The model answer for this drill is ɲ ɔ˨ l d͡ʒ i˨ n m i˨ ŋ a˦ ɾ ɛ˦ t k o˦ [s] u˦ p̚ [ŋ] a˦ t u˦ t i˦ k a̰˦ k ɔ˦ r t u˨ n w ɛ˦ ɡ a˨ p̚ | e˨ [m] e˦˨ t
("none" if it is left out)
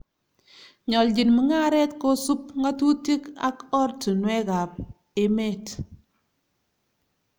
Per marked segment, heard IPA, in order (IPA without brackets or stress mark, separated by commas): s, ŋ, m